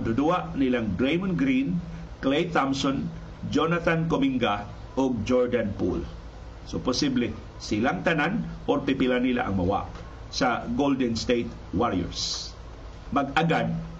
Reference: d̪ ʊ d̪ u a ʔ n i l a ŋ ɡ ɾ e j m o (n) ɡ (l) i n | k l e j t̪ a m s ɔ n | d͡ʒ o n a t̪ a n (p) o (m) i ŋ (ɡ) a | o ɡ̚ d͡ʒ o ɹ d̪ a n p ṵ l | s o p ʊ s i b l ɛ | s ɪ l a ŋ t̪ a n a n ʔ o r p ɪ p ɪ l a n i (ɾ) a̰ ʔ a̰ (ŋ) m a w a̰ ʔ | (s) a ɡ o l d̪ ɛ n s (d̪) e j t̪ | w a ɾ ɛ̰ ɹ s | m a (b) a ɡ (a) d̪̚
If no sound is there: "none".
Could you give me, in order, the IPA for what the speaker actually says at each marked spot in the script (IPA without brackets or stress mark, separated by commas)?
n, ɾ, k, m, ɡ, l, ŋ, s, t̪, ɡ, a